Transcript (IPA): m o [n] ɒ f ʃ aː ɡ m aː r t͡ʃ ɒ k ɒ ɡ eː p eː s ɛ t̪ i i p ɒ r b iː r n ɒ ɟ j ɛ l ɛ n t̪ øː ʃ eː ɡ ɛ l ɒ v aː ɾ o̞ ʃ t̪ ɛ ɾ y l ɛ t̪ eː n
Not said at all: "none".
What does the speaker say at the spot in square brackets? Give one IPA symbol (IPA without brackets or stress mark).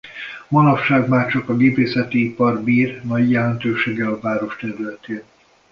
n